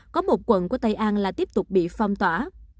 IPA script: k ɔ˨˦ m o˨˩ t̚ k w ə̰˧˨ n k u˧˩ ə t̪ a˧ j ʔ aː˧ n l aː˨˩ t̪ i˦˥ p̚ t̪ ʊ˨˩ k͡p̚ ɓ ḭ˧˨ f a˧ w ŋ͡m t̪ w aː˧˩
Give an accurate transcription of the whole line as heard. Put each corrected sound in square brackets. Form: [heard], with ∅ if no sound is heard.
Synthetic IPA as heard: k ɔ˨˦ m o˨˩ t̚ k w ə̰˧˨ n k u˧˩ ə t̪ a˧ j ʔ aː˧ n l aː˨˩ t̪ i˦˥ p̚ t̪ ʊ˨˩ k͡p̚ ɓ ḭ˧˨ f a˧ w ŋ͡m t̪ w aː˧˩